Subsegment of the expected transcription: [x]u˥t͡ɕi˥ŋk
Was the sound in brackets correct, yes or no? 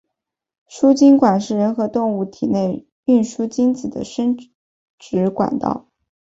no